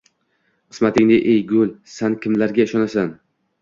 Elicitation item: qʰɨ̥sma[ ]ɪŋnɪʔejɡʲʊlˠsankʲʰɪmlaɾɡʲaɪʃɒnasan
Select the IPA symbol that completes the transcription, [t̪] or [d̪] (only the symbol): t̪